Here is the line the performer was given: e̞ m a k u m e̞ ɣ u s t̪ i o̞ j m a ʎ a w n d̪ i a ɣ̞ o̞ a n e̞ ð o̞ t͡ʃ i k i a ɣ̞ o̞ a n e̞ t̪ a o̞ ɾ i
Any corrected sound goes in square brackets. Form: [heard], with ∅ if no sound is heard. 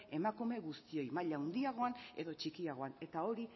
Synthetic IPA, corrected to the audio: e̞ m a k u m e̞ ɣ u s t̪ i o̞ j m a ʎ a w n d̪ i a ɣ̞ o̞ a n e̞ ð o̞ t͡ʃ i k i a ɣ̞ o̞ a n e̞ t̪ a o̞ ɾ i